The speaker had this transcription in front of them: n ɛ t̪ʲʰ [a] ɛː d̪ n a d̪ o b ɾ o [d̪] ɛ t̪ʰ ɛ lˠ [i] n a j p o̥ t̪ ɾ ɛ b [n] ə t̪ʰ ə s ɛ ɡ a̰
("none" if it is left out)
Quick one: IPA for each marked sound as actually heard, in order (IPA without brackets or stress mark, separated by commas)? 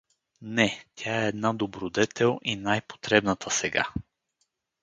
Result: a, d̪, i, n